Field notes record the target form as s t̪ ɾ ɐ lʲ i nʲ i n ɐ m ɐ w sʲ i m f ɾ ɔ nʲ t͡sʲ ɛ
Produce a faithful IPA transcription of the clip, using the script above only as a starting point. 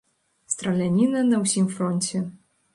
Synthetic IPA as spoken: s t̪ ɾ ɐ lʲ a nʲ i n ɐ n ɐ w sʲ i m f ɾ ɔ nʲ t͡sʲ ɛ